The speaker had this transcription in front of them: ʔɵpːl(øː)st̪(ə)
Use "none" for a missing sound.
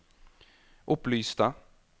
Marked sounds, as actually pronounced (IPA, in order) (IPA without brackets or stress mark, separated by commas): yː, a